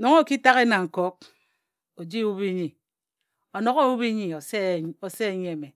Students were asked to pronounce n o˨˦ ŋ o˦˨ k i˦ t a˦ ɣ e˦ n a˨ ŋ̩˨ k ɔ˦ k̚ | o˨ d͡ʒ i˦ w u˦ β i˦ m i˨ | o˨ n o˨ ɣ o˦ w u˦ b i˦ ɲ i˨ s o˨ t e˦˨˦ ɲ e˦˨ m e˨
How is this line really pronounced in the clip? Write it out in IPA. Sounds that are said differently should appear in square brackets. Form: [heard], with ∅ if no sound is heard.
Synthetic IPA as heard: n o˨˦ ŋ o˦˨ k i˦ t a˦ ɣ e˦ n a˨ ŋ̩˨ k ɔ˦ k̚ | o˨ d͡ʒ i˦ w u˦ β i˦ [ɲ] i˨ | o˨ n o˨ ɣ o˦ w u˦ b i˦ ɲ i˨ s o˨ [s] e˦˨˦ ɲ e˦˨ m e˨